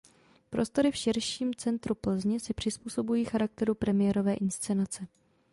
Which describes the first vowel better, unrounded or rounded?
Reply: rounded